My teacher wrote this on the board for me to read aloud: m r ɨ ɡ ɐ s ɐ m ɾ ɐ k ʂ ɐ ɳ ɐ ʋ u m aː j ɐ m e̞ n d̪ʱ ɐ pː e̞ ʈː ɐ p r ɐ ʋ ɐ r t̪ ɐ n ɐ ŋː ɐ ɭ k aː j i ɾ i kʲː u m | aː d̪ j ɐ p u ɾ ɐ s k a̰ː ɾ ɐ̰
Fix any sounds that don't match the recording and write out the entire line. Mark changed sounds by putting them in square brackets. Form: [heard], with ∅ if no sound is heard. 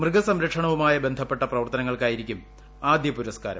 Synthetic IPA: m r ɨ ɡ ɐ s ɐ m ɾ ɐ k ʂ ɐ ɳ ɐ ʋ u m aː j ɐ [b] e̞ n d̪ʱ ɐ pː e̞ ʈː ɐ p r ɐ ʋ ɐ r t̪ ɐ n ɐ ŋː ɐ ɭ k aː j i ɾ i kʲː u m | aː d̪ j ɐ p u ɾ ɐ s k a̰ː ɾ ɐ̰